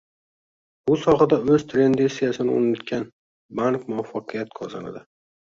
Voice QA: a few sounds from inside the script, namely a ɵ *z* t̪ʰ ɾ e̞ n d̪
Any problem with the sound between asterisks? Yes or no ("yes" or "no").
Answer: no